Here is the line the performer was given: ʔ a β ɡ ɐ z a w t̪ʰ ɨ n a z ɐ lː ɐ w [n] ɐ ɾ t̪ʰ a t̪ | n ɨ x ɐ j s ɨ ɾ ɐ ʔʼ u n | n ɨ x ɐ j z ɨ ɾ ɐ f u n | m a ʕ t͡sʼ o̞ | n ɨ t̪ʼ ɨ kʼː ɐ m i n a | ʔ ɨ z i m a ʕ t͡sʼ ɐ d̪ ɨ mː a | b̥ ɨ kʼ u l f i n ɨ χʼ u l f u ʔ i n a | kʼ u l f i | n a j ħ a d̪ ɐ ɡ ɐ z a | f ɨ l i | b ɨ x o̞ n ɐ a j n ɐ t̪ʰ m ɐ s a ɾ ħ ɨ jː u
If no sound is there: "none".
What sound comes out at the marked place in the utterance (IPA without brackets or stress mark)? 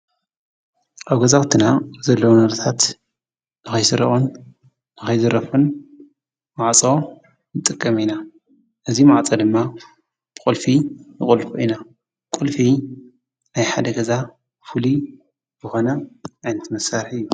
n